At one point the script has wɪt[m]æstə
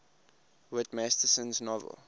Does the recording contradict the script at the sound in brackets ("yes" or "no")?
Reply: no